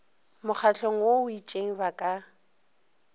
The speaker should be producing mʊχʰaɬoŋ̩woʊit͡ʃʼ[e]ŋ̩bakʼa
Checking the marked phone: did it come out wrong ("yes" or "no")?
no